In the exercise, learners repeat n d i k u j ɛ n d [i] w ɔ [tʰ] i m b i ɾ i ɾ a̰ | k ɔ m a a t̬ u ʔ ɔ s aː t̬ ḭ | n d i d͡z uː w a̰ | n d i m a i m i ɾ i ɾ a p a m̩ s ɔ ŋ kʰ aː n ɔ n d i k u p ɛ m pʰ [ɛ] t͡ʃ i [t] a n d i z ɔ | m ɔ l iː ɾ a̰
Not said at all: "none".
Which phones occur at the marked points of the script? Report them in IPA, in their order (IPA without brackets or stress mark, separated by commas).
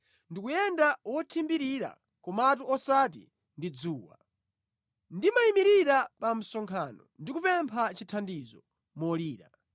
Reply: a, tʰ, a, tʰ